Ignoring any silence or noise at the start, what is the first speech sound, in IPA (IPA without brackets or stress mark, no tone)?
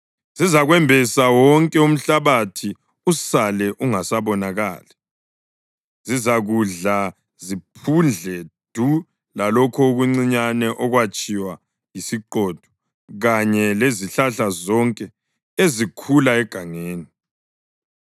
z